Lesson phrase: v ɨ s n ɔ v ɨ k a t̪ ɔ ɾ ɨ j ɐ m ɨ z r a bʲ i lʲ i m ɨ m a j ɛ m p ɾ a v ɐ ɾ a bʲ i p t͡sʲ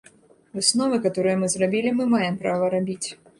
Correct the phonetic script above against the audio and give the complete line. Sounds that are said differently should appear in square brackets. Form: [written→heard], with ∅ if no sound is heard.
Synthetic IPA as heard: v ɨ s n ɔ v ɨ k a t̪ ɔ ɾ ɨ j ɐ m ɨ z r a bʲ i lʲ i m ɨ m a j ɛ m p ɾ a v ɐ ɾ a bʲ i [p→∅] t͡sʲ